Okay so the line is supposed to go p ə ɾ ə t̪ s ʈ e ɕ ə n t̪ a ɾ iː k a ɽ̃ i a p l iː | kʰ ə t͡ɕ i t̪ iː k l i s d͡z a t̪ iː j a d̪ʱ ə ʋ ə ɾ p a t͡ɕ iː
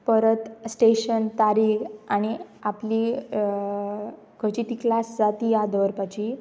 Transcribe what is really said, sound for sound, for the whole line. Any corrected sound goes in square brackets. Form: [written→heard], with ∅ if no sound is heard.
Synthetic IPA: p ə ɾ ə t̪ s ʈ e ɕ ə n t̪ a ɾ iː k a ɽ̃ i a p l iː | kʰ ə t͡ɕ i t̪ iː k l [i→a] s d͡z a t̪ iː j a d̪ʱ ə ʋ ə ɾ p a t͡ɕ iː